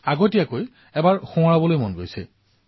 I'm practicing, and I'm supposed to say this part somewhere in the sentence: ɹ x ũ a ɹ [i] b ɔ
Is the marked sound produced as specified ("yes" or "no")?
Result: no